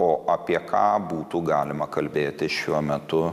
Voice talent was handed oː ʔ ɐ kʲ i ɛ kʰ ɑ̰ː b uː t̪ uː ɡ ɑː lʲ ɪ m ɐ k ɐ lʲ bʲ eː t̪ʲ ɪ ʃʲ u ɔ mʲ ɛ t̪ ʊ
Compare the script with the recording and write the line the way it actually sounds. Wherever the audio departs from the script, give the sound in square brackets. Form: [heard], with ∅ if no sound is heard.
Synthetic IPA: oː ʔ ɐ [pʲ] i ɛ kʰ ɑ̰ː b uː t̪ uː ɡ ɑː lʲ ɪ m ɐ k ɐ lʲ bʲ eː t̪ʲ ɪ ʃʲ u ɔ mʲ ɛ t̪ ʊ